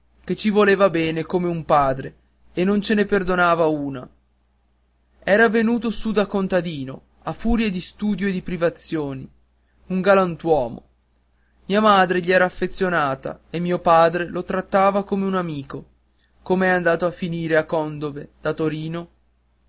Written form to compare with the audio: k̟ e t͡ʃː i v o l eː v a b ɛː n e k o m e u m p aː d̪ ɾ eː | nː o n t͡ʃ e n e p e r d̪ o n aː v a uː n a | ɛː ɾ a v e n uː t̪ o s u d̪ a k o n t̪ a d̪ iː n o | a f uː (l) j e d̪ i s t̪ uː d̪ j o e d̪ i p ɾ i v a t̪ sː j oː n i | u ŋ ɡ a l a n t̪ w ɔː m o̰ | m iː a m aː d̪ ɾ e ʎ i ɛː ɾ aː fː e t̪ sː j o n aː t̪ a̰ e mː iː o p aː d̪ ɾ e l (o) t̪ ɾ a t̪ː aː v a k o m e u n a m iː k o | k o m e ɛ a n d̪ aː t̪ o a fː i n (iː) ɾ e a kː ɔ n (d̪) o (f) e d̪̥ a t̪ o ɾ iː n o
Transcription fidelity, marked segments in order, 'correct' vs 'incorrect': incorrect: ɾ, correct, correct, correct, incorrect: v

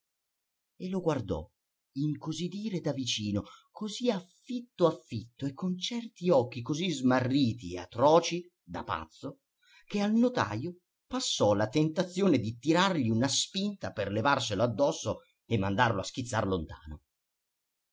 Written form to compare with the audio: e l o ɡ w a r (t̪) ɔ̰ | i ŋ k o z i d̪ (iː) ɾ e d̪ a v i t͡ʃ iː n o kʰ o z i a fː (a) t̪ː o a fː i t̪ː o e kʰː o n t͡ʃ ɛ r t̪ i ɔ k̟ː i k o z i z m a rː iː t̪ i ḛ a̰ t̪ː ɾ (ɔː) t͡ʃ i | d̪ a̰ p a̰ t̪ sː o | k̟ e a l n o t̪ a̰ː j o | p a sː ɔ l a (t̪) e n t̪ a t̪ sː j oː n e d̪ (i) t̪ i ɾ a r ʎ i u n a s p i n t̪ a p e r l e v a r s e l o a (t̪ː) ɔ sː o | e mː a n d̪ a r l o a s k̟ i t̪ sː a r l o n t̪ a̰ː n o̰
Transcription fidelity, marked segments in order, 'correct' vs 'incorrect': incorrect: d̪, correct, incorrect: i, correct, correct, correct, incorrect: d̪ː

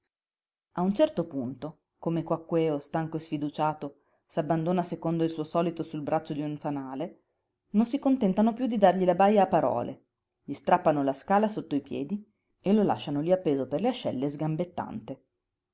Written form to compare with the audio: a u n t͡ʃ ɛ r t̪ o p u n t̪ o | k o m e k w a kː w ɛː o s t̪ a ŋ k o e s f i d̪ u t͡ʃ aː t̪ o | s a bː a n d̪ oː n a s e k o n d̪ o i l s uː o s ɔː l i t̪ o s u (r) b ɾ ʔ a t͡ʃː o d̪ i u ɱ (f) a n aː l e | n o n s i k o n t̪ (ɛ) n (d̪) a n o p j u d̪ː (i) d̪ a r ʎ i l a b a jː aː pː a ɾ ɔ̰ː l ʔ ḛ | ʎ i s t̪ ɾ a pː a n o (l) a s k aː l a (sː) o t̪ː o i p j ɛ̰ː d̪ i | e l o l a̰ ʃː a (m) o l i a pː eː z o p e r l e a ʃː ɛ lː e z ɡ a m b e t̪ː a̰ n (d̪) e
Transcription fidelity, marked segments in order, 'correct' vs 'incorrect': incorrect: l, correct, correct, incorrect: t̪, correct, correct, incorrect: s, incorrect: n, incorrect: t̪

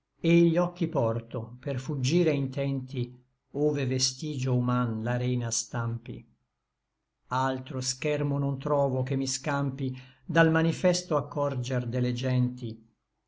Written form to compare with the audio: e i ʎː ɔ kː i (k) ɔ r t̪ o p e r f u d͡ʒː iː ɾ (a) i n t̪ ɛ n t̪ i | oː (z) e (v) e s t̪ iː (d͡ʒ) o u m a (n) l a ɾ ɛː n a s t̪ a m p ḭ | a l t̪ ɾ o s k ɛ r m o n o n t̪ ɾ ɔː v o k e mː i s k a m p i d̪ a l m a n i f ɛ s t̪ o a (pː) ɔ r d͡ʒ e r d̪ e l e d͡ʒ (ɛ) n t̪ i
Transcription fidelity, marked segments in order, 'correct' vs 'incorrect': incorrect: p, incorrect: e, incorrect: v, correct, correct, correct, incorrect: kː, correct

